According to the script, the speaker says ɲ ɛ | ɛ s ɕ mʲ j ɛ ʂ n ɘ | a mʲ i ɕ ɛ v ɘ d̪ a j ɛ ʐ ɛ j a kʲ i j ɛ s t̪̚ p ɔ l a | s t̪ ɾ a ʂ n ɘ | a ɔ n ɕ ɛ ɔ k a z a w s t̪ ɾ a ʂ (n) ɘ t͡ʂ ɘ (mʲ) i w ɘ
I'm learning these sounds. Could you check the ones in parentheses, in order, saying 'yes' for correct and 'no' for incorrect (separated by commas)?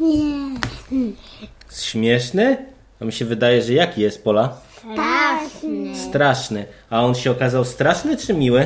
yes, yes